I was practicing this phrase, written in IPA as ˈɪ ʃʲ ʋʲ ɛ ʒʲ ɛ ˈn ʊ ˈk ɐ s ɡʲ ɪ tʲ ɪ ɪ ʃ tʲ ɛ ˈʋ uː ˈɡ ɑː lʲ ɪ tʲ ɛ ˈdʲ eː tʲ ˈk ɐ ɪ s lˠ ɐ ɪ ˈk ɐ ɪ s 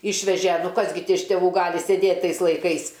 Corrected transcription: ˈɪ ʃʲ ʋʲ ɛ ʒʲ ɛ ˈn ʊ ˈk ɐ s ɡʲ ɪ tʲ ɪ ɪ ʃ tʲ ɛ ˈʋ uː ˈɡ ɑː lʲ ɪ sʲ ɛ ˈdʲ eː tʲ ˈt ɐ ɪ s lˠ ɐ ɪ ˈk ɐ ɪ s

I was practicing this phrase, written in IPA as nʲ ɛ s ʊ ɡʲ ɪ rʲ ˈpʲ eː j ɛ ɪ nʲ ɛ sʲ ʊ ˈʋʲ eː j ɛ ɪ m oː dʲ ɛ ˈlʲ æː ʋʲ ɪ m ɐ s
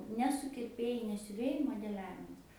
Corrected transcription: nʲ ɛ s ʊ kʲ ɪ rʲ ˈpʲ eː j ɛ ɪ nʲ ɛ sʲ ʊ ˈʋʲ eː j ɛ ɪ m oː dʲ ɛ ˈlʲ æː ʋʲ ɪ m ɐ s

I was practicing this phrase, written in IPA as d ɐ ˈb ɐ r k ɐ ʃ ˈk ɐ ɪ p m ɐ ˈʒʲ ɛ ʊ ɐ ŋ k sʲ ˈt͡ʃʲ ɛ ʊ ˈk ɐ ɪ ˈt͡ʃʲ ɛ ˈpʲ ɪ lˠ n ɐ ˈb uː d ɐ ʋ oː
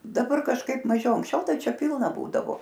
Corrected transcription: d ɐ ˈb ɐ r k ɐ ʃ ˈk ɐ ɪ p m ɐ ˈʒʲ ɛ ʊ ɐ ŋ k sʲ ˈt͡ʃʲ ɛ ʊ ˈt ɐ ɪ ˈt͡ʃʲ ɛ ˈpʲ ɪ lˠ n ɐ ˈb uː d ɐ ʋ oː

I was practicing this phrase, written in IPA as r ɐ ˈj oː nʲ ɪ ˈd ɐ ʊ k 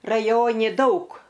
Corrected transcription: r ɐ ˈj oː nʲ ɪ ˈd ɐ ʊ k

